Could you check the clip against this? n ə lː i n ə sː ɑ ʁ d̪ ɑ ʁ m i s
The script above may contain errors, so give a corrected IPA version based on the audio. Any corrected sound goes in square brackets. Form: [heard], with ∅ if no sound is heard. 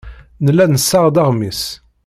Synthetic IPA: n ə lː [æ] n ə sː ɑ ʁ d̪ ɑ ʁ m i s